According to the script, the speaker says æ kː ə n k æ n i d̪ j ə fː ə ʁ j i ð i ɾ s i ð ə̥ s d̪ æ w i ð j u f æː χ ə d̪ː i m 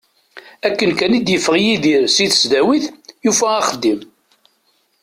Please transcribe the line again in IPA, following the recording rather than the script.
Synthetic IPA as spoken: æ kː ə n k æ n i d̪ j ə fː ə ʁ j i ð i ɾ s i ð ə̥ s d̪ æ w i θ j u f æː χ ə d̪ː i m